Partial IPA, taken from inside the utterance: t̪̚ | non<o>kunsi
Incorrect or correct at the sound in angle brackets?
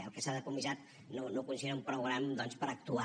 correct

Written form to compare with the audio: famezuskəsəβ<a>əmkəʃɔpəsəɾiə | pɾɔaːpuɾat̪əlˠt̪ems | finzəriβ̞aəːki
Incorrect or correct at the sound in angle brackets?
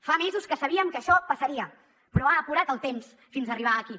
incorrect: i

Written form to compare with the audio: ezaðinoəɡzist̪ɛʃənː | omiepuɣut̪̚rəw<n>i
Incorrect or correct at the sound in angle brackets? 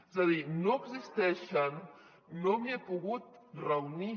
correct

